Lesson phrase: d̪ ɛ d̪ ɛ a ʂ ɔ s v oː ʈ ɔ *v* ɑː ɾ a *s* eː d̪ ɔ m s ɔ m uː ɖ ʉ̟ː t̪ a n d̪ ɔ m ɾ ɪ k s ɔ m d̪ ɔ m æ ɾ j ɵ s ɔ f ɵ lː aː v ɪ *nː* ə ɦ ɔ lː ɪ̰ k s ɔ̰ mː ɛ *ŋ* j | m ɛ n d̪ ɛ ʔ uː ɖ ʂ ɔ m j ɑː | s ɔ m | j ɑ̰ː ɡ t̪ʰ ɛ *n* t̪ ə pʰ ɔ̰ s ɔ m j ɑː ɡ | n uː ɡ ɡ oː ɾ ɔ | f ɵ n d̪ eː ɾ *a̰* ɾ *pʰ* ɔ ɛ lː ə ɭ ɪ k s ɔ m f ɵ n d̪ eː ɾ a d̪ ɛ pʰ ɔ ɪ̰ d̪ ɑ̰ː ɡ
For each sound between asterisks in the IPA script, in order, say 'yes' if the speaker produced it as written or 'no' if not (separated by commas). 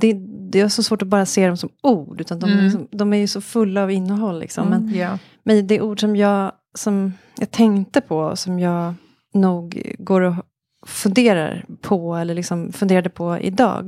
no, yes, yes, no, no, yes, yes